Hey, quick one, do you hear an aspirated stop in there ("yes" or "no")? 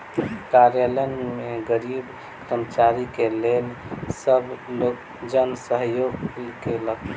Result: no